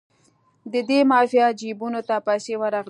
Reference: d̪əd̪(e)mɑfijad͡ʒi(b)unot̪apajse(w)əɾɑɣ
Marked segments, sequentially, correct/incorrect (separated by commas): correct, correct, correct